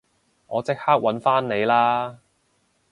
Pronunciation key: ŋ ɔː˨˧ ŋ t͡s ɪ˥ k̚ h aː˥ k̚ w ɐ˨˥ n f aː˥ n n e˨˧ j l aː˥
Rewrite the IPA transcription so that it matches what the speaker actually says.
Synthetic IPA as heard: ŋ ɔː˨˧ t͡s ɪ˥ k̚ h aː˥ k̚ w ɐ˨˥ n f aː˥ n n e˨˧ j l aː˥

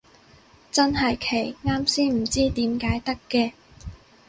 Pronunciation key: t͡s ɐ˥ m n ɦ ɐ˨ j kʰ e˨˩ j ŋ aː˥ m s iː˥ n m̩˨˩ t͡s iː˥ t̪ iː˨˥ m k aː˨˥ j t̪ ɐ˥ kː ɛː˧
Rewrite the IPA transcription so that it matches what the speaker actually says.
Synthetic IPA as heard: t͡s ɐ˥ n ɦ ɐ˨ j kʰ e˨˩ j ŋ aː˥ m s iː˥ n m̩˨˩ t͡s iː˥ t̪ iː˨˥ m k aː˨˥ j t̪ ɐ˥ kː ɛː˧

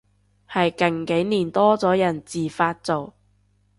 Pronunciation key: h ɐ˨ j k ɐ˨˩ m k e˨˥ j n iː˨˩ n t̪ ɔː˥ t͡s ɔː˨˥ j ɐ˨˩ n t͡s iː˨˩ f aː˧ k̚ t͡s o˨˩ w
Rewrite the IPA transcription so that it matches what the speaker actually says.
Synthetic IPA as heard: h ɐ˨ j k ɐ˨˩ ŋ k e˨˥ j n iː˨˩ n t̪ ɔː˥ t͡s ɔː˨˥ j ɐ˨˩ n t͡s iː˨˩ f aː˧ t̚ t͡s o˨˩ w

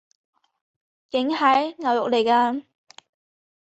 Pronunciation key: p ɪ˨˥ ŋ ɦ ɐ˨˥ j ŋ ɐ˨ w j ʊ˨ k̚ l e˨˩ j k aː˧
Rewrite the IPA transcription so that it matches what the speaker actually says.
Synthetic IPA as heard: k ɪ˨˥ ŋ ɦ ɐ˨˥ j ŋ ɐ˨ w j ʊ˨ k̚ l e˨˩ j k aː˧

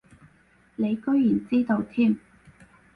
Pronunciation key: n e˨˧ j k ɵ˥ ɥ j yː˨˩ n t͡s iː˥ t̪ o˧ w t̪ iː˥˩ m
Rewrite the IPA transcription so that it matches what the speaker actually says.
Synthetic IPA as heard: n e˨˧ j k ɵ˥ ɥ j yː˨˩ n t͡s iː˥ t̪ o˧ w t̪ʰ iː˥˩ m

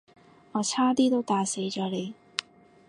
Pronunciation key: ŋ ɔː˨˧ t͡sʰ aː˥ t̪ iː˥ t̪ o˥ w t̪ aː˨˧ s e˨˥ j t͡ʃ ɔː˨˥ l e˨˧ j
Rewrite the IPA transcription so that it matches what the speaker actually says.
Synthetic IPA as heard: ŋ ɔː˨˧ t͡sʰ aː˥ t̪ iː˥ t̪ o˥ w t̪ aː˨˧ s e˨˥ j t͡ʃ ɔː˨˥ l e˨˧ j

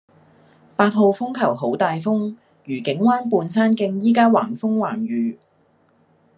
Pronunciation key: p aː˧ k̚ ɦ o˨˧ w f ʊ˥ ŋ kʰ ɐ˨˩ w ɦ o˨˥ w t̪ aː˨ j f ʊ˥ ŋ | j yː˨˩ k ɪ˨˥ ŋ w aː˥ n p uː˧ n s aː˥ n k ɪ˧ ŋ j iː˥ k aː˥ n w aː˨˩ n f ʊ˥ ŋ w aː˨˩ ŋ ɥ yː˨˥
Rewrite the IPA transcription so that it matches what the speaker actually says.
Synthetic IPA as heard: p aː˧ t̚ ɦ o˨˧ w f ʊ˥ ŋ kʰ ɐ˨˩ w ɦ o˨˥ w t̪ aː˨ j f ʊ˥ ŋ | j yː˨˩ k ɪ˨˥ ŋ w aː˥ n p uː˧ n s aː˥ n k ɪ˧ ŋ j iː˥ k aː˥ w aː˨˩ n f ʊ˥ ŋ w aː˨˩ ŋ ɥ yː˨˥

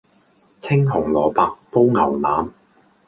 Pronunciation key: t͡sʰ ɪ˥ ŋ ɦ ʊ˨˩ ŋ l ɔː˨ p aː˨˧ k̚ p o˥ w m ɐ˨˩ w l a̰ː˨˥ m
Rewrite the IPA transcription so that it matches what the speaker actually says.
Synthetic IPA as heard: t͡sʰ ɪ˥ ŋ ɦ ʊ˨˩ ŋ l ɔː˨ p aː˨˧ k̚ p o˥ w ŋ ɐ˨˩ w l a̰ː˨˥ m

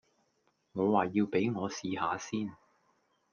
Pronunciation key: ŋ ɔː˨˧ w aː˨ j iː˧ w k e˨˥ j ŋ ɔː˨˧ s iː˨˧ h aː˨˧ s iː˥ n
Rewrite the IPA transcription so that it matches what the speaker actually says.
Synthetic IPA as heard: ŋ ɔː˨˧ w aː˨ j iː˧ w p e˨˥ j ŋ ɔː˨˧ s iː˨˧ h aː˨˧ s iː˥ n

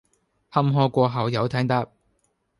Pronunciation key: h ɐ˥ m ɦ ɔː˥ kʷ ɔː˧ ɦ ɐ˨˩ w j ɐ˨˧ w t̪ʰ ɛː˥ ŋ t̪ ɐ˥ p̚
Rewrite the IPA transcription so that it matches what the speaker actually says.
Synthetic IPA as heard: h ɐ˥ m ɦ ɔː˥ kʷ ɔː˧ ɦ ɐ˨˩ w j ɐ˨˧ w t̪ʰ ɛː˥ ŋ t̪ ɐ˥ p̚

